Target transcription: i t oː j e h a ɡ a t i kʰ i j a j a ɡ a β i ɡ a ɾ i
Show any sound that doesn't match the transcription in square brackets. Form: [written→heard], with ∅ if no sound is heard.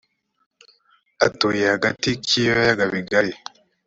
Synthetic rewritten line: [i→a] t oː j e h a ɡ a t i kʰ i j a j a ɡ a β i ɡ a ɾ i